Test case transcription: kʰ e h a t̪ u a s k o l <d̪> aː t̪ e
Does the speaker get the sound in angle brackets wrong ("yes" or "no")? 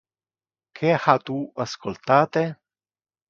yes